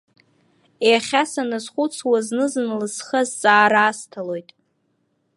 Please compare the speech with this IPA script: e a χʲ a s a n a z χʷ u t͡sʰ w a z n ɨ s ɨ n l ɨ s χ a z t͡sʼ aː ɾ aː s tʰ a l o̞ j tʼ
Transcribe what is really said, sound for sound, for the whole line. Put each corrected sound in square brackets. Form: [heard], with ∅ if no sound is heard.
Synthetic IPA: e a χʲ a s a n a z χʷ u t͡sʰ w a z n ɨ [z] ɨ n l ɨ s χ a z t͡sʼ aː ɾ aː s tʰ a l o̞ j tʼ